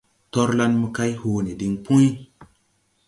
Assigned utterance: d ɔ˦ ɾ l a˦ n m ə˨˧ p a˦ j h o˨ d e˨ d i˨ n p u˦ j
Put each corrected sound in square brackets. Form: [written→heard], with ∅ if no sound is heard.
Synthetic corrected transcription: [d→t] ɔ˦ ɾ l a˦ n m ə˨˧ [p→k] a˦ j h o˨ [d→n] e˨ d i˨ [n→ŋ] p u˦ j

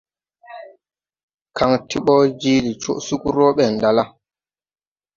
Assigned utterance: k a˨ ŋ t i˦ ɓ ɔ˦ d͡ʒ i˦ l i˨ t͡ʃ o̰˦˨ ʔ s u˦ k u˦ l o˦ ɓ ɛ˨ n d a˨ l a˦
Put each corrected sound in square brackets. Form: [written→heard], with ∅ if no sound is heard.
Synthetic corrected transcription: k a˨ ŋ t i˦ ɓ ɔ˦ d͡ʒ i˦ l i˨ t͡ʃ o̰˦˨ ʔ s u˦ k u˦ [l→ɾ] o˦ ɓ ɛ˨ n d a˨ l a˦

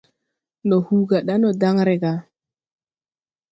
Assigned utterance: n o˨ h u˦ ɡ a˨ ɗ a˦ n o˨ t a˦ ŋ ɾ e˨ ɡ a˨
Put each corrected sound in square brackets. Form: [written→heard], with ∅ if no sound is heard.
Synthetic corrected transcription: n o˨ h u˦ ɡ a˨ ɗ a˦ n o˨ [t→d] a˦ ŋ ɾ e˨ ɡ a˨

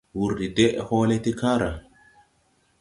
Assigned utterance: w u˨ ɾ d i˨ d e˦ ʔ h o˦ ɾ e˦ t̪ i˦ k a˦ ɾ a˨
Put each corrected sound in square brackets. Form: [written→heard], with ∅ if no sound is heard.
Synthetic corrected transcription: w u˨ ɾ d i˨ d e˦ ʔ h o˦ [ɾ→l] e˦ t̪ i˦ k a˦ ɾ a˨

